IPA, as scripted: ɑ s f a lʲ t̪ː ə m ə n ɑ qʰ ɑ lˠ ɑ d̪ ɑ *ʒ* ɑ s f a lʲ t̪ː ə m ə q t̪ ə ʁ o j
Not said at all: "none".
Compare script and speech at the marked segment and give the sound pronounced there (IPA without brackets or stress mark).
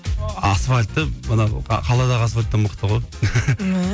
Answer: ʁ